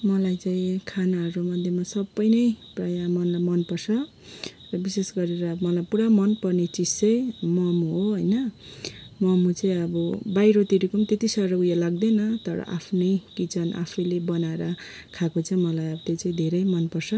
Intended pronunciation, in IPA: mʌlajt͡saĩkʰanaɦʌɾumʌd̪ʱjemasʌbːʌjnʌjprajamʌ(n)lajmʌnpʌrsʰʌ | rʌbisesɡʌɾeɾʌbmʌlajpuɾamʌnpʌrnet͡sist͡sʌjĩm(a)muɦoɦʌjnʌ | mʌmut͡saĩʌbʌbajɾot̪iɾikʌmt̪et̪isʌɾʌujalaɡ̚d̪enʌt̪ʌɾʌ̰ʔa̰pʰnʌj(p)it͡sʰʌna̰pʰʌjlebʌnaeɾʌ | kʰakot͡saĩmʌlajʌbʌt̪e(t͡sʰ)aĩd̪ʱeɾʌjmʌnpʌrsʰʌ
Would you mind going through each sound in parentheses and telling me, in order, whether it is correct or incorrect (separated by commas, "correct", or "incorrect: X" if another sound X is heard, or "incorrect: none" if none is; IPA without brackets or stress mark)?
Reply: correct, incorrect: ʌ, incorrect: k, incorrect: t͡s